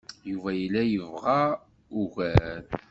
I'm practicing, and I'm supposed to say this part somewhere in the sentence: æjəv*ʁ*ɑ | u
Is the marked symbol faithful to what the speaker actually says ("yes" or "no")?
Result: yes